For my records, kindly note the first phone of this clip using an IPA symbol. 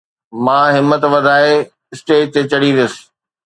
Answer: m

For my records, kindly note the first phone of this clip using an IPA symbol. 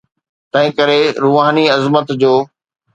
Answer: t̪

